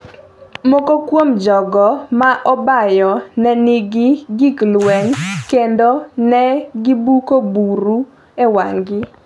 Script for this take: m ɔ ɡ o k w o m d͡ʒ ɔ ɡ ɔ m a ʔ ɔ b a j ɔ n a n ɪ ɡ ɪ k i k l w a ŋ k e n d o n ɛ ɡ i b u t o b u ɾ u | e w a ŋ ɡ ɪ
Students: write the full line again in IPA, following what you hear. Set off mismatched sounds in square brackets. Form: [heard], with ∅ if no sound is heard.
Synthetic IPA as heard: m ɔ [k] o k w o m d͡ʒ ɔ ɡ ɔ m a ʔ ɔ b a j ɔ n [ɛ] n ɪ ɡ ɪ [ɡ] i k l w [ɛ] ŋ k e n d o n ɛ ɡ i b u [k] o b u ɾ u | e w a ŋ ɡ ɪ